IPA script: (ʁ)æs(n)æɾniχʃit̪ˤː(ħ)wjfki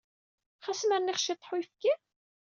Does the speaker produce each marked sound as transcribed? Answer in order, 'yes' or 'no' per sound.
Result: no, no, yes

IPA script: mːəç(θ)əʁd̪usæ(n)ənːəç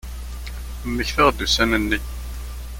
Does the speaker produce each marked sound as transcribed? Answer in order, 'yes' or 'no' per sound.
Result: yes, yes

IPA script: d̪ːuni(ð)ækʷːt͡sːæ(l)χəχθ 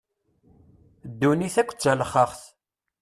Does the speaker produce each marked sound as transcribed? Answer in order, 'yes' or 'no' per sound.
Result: no, yes

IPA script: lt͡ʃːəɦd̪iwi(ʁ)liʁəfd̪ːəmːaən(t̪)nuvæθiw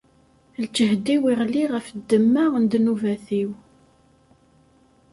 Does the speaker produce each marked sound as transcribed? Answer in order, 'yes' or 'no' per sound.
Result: yes, no

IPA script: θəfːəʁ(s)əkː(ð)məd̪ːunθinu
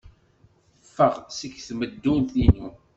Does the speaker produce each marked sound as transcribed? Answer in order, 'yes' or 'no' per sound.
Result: yes, no

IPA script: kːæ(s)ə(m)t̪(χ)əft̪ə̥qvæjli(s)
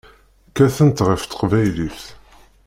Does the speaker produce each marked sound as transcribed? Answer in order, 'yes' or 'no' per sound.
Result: no, no, no, no

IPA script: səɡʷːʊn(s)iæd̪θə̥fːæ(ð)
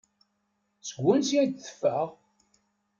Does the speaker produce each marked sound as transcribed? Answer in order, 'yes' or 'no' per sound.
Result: yes, no

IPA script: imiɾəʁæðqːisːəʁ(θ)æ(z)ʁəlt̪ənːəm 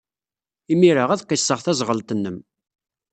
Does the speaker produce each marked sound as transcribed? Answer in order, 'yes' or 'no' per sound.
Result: yes, yes

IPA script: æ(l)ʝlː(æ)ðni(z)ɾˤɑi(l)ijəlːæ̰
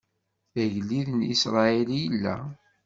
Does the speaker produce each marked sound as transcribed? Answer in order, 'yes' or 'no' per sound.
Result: no, no, no, yes

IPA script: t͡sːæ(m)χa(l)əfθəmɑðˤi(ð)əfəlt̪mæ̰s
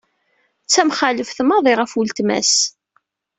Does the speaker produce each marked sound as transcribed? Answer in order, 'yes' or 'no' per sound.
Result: yes, yes, no

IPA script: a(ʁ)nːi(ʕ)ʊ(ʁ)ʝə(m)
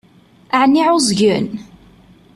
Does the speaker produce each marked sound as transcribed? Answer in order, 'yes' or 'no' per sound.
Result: no, yes, no, no

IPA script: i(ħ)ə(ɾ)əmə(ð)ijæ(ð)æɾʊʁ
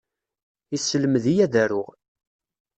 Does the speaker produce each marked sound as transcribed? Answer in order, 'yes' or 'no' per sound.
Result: no, no, yes, yes

